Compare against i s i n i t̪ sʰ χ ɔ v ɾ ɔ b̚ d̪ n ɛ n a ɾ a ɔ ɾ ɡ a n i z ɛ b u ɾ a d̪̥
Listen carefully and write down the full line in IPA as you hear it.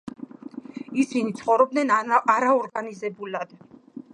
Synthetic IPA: i s i n i t̪ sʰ χ ɔ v ɾ ɔ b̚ d̪ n ɛ n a ɾ a ɔ ɾ ɡ a n i z ɛ b u l a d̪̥